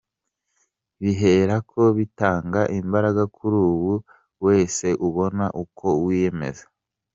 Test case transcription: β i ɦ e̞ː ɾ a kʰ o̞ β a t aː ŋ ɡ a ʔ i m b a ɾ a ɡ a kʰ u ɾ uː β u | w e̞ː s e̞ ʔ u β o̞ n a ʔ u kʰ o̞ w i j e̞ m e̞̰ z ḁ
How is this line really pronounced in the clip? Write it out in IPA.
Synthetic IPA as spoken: β i ɦ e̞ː ɾ a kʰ o̞ β i t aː ŋ ɡ a ʔ i m b a ɾ a ɡ a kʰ u ɾ uː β u | w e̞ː s e̞ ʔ u β o̞ n a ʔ u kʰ o̞ w i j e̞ m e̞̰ z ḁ

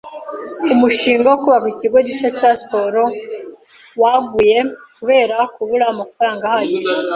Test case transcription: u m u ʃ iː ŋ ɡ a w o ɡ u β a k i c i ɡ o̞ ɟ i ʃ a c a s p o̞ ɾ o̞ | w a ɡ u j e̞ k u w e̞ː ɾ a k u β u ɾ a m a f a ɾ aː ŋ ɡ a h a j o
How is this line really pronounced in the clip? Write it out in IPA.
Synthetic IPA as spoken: u m u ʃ iː ŋ ɡ a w o k u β a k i c i ɡ o̞ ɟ i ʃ a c a s p o̞ ɾ o̞ | w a ɡ u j e̞ k u β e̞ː ɾ a k u β u ɾ a m a f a ɾ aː ŋ ɡ a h a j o

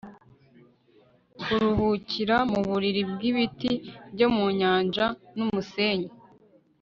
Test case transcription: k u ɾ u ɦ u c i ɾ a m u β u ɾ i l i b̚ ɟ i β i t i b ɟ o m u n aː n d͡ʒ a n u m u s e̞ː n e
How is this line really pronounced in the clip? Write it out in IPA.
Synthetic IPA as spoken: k u ɾ u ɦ u c i ɾ a m u β u ɾ i ɾ i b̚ ɡ i β i t i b ɟ o m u ɲ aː n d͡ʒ a n u m u s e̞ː ɲ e

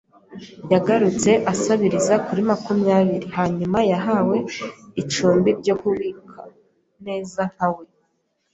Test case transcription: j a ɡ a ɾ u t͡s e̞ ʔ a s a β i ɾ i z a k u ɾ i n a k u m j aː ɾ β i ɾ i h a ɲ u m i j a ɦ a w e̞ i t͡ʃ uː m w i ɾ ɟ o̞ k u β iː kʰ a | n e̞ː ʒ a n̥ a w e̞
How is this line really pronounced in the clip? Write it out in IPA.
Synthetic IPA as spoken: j a ɡ a ɾ u t͡s e̞ ʔ a s a β i ɾ i z a k u ɾ i m a k u m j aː β i ɾ i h a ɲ u m a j a ɦ a w e̞ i t͡ʃ uː m b i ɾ ɟ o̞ k u β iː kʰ a | n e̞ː z a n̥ a w e̞

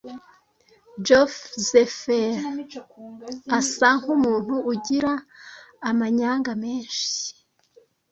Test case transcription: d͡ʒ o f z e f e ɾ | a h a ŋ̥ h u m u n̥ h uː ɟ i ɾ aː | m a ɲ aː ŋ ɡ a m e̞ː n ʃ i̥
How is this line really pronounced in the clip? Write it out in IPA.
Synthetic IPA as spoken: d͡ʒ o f z e f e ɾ | a s a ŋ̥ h u m uː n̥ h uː ɟ i ɾ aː | m a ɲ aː ŋ ɡ a m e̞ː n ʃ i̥

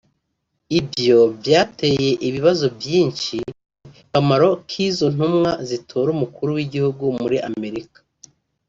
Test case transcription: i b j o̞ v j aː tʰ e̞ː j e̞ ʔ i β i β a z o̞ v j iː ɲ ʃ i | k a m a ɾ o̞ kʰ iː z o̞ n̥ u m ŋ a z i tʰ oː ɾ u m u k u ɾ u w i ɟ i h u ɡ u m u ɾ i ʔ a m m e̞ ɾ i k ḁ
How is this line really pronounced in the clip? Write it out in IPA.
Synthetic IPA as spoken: i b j o̞ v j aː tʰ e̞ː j e̞ ʔ i β i β a z o̞ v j iː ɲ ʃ i | k a m a ɾ o̞ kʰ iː z o̞ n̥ u m ŋ a z i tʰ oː ɾ u m u k u ɾ u w i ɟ i h u ɡ u m u ɾ i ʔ a m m e̞ ɾ i k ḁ

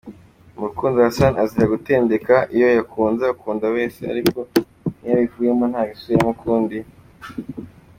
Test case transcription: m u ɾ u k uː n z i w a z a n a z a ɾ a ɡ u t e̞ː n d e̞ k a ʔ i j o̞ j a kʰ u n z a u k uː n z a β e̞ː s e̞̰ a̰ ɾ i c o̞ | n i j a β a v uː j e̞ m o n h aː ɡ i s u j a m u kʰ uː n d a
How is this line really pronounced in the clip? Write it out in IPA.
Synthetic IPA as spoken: m u ɾ u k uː n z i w a s a n a z i ɾ a ɡ u t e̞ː n d e̞ k a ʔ i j o̞ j a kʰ uː n z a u k uː n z a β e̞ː s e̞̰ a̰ ɾ i k o̞ | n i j a β i v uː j e̞ m o n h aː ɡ i s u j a m u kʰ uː n d i

